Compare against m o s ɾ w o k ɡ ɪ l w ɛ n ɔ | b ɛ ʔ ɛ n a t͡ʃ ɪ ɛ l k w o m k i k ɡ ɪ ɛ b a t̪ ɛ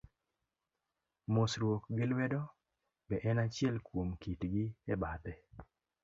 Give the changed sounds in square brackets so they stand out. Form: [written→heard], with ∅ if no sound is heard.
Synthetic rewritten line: m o s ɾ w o k ɡ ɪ l w ɛ [n→d] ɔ | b ɛ ʔ ɛ n a t͡ʃ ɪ ɛ l k w o m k i [k→t] ɡ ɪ ɛ b a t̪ ɛ